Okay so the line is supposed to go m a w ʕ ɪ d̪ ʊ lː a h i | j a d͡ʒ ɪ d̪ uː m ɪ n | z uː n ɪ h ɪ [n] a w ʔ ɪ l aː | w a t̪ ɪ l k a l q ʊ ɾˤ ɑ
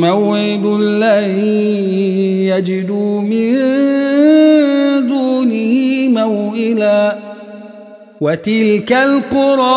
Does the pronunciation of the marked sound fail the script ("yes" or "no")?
yes